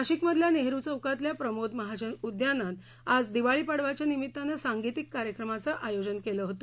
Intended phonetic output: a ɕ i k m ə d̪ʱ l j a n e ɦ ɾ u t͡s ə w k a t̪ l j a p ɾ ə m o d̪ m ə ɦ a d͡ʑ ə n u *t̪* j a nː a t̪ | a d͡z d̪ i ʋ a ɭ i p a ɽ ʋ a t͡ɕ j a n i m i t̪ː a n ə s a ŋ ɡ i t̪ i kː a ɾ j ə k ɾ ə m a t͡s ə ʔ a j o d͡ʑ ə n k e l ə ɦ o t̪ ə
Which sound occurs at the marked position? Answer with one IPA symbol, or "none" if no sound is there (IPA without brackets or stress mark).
d̪